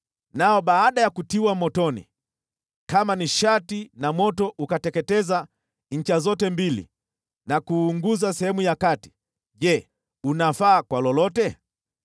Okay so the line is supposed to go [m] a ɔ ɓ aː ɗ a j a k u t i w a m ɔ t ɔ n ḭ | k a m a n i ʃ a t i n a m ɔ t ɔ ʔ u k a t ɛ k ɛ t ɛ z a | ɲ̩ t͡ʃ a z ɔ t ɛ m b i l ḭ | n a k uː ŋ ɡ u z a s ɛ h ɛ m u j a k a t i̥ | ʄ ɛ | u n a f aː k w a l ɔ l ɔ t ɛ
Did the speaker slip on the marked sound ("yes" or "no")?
yes